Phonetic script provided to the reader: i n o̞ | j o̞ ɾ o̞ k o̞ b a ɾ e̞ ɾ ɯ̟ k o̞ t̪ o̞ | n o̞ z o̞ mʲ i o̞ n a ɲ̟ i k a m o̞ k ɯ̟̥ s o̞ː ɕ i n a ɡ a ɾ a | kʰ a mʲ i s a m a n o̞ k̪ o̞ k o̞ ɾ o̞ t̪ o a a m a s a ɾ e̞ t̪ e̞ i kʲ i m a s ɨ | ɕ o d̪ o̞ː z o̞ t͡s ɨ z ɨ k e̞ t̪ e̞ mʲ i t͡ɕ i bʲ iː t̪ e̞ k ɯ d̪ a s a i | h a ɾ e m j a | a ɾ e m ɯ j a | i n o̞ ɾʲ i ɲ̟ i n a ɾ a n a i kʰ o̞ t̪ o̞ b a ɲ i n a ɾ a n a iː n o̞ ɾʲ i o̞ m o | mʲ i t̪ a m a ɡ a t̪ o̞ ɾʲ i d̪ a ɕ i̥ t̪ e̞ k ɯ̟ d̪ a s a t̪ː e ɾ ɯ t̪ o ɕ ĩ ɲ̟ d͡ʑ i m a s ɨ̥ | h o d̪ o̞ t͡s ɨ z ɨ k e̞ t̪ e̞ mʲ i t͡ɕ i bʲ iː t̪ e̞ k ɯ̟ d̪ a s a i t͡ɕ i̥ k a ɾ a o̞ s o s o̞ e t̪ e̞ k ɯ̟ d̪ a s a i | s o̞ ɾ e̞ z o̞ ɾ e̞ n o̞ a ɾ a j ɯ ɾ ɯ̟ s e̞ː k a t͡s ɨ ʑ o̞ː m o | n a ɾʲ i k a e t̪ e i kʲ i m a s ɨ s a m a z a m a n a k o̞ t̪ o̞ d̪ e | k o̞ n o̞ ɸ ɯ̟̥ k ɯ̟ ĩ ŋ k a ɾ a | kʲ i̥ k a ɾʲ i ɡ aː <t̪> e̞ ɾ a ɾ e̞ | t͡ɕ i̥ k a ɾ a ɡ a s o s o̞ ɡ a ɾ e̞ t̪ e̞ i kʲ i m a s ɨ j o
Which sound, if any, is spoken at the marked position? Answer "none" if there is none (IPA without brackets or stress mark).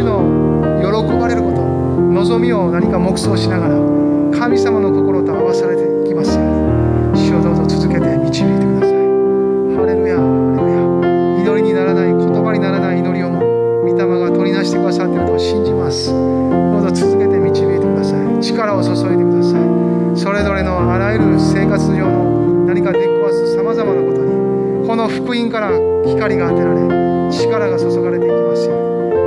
t̪